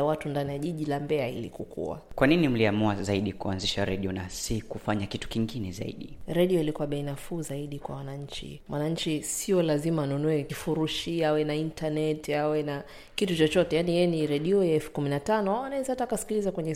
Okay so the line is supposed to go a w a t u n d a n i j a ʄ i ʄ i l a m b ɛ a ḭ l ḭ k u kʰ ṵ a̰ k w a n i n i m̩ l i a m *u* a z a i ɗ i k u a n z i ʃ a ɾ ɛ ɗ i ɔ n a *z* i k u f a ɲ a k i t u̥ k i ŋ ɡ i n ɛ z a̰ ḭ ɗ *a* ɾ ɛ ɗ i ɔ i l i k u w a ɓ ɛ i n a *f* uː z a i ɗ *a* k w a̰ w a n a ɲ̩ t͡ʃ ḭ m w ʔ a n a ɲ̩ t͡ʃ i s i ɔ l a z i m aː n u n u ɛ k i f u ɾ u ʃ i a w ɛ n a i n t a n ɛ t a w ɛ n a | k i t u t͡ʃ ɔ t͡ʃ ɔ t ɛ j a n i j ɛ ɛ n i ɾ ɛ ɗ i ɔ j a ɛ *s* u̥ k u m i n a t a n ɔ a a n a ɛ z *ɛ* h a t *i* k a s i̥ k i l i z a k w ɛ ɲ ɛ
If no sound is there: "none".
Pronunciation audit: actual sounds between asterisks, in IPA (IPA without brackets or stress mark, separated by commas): u, s, i, f, i, f, a, a